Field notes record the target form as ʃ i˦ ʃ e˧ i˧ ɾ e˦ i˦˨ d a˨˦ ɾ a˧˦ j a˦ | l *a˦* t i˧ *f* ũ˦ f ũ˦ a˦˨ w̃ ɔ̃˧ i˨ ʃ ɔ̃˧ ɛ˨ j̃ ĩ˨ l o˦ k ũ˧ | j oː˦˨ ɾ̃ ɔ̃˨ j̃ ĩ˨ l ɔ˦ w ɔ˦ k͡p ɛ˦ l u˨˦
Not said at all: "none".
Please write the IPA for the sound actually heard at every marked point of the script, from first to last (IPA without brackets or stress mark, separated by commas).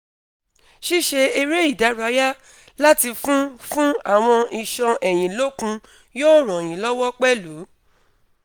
a˦, f